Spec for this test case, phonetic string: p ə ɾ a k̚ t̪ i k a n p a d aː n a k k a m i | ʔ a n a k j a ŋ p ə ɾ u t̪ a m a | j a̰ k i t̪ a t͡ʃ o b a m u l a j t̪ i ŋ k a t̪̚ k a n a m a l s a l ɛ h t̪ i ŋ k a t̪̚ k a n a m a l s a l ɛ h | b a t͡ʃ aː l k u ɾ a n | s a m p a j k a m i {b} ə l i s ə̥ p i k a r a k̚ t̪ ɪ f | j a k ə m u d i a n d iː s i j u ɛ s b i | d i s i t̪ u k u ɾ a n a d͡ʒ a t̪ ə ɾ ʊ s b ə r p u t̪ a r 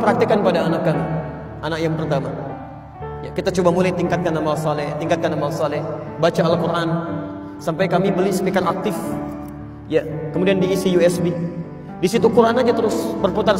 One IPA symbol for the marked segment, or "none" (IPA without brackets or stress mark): b